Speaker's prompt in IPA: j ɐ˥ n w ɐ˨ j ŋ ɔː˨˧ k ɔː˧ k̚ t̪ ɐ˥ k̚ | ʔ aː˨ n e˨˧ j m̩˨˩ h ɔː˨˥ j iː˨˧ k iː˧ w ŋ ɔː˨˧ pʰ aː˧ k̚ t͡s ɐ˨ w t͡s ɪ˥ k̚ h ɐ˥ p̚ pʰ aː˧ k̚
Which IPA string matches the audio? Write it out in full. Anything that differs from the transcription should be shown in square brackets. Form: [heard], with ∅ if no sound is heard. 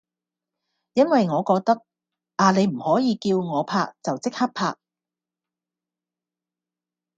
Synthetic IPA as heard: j ɐ˥ n w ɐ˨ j ŋ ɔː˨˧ k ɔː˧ k̚ t̪ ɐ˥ k̚ | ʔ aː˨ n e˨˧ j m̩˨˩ h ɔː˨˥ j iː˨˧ k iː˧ w ŋ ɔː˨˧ pʰ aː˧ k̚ t͡s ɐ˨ w t͡s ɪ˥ k̚ h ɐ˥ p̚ pʰ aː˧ k̚